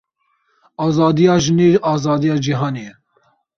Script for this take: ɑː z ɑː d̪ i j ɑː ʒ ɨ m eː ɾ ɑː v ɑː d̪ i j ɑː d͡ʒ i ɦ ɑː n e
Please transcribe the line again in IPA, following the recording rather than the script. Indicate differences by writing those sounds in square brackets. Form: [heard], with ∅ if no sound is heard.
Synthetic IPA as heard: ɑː z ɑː d̪ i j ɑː ʒ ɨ [n] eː ɾ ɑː [z] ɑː d̪ i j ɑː d͡ʒ i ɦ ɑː n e

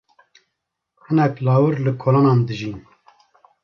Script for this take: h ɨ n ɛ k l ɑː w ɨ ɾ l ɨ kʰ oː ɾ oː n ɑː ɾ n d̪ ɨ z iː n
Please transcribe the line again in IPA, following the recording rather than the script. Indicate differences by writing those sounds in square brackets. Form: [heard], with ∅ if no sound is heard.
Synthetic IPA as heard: h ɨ n ɛ k l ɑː w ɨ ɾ l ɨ kʰ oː [l] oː n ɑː [∅] n d̪ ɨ [ʒ] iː n

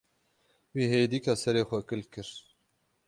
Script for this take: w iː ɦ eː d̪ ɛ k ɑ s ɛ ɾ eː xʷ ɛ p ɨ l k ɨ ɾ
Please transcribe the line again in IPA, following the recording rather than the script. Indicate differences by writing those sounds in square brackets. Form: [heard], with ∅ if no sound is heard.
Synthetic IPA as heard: w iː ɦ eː d̪ [i] k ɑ s ɛ ɾ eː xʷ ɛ [k] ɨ l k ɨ ɾ

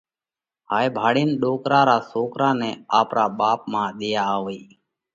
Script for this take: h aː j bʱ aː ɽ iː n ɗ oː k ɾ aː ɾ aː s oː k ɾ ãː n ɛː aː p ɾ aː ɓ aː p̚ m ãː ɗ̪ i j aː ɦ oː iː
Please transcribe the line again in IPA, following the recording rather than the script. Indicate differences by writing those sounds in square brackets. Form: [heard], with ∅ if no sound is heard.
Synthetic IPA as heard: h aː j bʱ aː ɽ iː n ɗ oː k ɾ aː ɾ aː s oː k ɾ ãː n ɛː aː p ɾ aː ɓ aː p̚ m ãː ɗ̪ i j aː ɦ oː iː

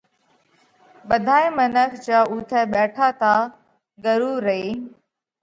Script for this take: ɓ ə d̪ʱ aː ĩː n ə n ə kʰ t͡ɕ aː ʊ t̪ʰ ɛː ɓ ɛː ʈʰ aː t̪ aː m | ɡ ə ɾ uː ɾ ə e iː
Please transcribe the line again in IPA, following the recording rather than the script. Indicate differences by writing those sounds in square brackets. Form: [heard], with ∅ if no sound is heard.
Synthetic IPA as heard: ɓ ə d̪ʱ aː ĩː [m] ə n ə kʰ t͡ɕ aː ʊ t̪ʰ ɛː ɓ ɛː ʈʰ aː t̪ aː [∅] | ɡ ə ɾ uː ɾ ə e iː

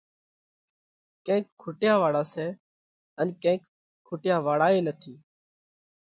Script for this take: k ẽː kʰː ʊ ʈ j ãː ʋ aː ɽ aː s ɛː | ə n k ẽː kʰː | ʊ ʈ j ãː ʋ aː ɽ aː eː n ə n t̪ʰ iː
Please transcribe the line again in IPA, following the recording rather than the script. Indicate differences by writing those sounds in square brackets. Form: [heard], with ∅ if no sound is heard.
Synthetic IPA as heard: k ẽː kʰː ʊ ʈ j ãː ʋ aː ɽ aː s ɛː | ə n k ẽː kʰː | ʊ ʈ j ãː ʋ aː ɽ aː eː n ə [∅] t̪ʰ iː

